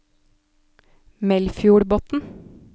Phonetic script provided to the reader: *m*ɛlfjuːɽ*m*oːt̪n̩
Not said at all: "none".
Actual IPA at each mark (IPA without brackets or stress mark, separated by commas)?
m, b